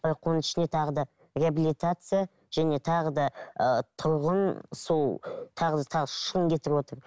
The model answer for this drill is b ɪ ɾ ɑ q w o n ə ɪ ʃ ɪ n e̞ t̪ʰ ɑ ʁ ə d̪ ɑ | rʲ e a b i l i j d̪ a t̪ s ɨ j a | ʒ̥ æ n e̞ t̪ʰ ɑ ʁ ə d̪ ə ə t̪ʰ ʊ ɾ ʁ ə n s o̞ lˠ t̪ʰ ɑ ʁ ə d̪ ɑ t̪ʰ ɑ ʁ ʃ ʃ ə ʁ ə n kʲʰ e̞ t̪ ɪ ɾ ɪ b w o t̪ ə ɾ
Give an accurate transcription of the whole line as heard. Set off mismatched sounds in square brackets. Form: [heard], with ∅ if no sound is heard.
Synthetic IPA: b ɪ ɾ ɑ q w o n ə ɪ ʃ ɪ n e̞ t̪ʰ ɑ ʁ ə d̪ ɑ | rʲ e a b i l i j [t̪] a t̪ s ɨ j a | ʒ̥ æ n e̞ t̪ʰ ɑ ʁ ə d̪ [ɑ] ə t̪ʰ ʊ ɾ ʁ ə n s o̞ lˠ t̪ʰ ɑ ʁ ə d̪ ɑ t̪ʰ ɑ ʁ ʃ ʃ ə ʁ ə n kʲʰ e̞ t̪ ɪ ɾ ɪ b w o t̪ ə ɾ